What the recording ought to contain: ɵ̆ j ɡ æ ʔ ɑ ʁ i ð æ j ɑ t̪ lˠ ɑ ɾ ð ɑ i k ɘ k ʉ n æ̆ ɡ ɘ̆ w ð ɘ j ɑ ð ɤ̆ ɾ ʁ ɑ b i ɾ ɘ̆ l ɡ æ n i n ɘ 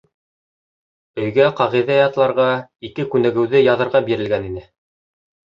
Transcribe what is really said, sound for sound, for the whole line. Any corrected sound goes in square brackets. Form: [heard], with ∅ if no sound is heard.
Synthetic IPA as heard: ɵ̆ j ɡ æ [q] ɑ ʁ i ð æ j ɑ t̪ lˠ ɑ ɾ [ʁ] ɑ i k ɘ k ʉ n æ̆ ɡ ɘ̆ w ð ɘ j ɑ ð ɤ̆ ɾ ʁ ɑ b i ɾ ɘ̆ l ɡ æ n i n ɘ